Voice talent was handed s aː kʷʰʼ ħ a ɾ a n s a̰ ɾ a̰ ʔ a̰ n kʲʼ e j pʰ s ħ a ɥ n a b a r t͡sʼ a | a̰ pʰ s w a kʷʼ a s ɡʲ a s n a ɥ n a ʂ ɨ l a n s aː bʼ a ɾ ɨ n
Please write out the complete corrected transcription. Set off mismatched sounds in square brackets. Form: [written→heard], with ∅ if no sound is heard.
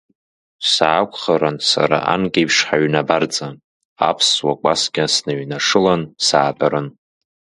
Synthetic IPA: s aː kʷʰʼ [ħ→χ] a ɾ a n s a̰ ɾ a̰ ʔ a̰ n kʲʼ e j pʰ [s→ʂ] ħ a ɥ n a b a r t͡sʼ a | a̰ pʰ s w a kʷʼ a s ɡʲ a s n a ɥ n a ʂ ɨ l a n s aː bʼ a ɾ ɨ n